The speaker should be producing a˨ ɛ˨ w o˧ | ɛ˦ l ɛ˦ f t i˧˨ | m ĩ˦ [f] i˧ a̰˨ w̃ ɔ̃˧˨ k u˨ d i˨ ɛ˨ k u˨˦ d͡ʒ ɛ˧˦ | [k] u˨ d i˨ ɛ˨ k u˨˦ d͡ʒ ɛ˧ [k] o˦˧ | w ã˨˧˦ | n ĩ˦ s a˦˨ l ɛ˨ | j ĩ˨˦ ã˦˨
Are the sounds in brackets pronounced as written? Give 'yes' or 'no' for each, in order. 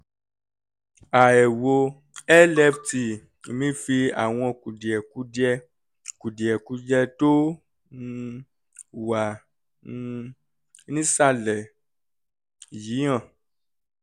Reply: yes, yes, no

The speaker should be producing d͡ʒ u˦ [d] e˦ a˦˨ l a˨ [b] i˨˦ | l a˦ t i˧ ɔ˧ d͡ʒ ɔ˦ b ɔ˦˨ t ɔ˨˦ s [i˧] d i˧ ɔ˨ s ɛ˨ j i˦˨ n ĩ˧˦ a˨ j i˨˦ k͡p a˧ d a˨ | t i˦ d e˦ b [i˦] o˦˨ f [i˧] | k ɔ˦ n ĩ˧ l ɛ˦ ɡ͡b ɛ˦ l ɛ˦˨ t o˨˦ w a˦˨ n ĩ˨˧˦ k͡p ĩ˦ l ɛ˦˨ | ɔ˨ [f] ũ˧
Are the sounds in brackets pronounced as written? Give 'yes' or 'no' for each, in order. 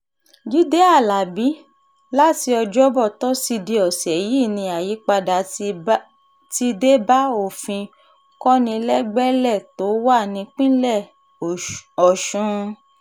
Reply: yes, yes, yes, no, no, no

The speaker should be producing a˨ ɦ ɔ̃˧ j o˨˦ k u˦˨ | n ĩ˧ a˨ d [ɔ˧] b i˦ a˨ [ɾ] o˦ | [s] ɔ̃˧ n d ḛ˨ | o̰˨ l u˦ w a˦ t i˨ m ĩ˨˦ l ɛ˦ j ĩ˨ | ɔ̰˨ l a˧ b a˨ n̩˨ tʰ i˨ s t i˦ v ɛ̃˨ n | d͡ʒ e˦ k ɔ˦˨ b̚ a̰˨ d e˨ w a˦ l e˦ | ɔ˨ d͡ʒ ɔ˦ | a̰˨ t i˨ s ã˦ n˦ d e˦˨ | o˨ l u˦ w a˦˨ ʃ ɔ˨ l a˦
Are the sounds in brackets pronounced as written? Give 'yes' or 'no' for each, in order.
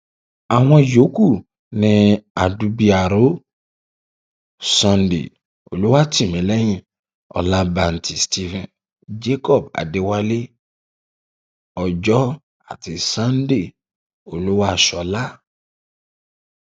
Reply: no, yes, yes

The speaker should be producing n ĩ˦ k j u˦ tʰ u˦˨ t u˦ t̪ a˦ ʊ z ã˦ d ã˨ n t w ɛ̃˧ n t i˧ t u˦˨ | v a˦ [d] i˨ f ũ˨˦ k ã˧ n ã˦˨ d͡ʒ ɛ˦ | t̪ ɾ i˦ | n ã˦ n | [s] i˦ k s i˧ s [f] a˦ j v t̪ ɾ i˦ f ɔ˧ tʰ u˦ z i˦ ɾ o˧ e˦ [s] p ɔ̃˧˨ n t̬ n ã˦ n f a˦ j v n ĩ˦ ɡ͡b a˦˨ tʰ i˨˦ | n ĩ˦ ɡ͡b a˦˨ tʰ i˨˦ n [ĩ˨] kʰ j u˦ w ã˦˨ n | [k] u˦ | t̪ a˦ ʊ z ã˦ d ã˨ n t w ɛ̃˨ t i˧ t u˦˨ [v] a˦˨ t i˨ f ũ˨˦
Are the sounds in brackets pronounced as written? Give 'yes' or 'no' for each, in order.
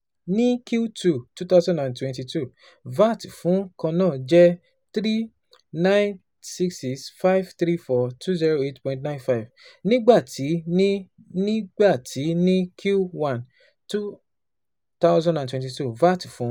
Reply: no, yes, yes, no, no, no, yes

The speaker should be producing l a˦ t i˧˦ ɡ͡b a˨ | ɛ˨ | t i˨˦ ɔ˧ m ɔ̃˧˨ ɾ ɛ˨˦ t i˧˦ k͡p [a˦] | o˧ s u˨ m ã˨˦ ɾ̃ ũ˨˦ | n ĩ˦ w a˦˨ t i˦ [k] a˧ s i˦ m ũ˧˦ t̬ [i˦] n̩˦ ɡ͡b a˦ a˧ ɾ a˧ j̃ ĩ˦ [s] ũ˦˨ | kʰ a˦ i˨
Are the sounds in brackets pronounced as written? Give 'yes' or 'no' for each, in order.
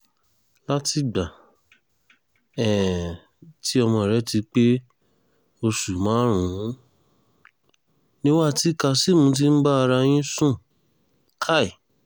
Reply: no, yes, yes, yes

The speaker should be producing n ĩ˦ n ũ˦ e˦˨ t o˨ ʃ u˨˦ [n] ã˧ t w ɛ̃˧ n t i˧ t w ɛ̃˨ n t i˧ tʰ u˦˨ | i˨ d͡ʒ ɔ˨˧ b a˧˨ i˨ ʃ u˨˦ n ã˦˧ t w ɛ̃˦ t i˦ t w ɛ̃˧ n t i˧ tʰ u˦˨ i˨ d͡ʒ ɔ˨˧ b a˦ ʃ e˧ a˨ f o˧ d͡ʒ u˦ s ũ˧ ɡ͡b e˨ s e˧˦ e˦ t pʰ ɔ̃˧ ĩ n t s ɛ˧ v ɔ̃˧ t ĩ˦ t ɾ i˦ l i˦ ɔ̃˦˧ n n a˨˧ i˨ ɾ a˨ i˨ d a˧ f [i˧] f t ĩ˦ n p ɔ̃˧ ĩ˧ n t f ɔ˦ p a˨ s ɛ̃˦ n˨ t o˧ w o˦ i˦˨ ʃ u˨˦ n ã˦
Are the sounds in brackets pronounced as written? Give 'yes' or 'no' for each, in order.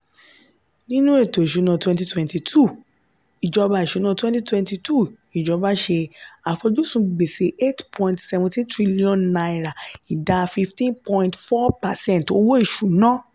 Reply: yes, yes

